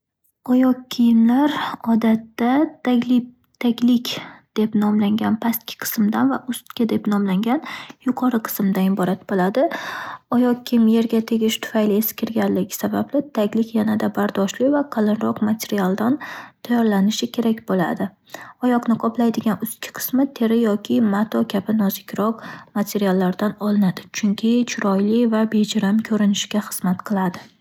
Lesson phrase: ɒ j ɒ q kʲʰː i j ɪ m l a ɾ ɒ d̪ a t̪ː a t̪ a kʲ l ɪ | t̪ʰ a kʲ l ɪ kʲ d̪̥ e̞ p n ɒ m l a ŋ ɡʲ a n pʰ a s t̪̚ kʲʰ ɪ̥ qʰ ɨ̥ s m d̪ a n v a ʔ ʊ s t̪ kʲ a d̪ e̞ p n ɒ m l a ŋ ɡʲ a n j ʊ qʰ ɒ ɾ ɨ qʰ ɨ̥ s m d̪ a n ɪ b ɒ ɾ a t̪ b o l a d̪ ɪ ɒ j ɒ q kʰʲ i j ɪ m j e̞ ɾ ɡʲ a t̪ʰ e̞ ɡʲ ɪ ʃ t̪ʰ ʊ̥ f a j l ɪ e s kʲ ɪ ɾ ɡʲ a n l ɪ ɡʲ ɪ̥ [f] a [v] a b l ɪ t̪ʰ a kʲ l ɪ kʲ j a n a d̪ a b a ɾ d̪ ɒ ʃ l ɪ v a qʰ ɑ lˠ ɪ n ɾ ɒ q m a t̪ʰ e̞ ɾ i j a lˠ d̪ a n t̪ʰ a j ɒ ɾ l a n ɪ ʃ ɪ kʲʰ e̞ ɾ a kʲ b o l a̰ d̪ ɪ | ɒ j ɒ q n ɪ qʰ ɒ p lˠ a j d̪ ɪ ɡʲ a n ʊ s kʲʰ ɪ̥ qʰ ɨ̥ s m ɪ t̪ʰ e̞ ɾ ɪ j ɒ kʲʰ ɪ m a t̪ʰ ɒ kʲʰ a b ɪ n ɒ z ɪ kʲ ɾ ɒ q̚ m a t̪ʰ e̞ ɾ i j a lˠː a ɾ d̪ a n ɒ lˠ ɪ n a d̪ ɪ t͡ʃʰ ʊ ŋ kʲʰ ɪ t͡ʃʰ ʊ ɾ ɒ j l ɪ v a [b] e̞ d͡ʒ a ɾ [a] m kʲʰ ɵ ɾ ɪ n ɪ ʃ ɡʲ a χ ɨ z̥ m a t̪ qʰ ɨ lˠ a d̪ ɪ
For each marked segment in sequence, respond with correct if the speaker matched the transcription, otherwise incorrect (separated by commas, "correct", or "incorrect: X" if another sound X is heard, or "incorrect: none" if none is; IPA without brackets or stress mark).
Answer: incorrect: s, incorrect: b, correct, correct